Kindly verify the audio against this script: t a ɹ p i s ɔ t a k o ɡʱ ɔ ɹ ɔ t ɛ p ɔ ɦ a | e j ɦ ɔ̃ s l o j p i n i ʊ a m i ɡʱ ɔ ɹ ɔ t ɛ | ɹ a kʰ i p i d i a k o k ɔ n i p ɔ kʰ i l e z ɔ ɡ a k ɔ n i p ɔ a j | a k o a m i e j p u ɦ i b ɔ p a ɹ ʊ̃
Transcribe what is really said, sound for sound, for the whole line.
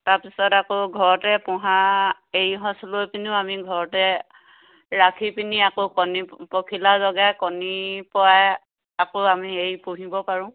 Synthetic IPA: t a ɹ p i s ɔ t a k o ɡʱ ɔ ɹ ɔ t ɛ p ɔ ɦ a | e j ɦ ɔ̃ s l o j p i n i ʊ a m i ɡʱ ɔ ɹ ɔ t ɛ | ɹ a kʰ i p i n i a k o k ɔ n i p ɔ kʰ i l a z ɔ ɡ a k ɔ n i p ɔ a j | a k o a m i e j p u ɦ i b ɔ p a ɹ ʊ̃